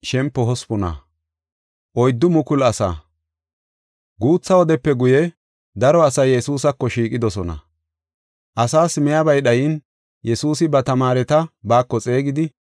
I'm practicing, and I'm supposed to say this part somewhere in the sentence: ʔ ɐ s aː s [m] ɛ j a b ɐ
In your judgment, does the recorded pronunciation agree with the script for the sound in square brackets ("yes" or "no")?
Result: yes